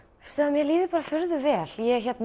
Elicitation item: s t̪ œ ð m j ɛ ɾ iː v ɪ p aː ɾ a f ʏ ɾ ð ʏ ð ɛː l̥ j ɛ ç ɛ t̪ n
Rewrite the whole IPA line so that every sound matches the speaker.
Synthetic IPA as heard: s t̪ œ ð m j ɛ l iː ð ɪ p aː ɾ a f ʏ ɾ ð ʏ v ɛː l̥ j ɛ ç ɛ t̪ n